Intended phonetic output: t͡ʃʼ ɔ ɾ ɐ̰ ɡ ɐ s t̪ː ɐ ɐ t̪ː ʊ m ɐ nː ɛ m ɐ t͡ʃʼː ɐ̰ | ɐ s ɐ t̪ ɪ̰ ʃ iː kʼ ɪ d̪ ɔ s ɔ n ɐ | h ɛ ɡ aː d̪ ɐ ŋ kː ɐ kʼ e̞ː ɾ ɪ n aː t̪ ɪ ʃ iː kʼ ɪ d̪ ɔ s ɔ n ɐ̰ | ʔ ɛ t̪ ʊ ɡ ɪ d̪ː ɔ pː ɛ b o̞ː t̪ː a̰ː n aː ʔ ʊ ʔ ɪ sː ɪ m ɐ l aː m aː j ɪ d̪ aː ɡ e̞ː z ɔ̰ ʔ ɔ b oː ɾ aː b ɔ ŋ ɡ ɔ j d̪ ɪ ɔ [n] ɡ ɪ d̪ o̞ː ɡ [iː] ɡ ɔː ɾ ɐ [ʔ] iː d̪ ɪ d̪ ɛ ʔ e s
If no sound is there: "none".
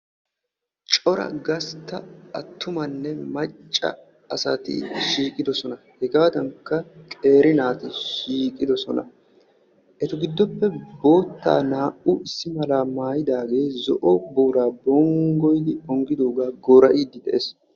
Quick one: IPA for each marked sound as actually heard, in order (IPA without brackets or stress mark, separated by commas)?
ŋ, aː, ʔ